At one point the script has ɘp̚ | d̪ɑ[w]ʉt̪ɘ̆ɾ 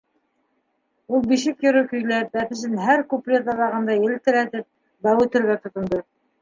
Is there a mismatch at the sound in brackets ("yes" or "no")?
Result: no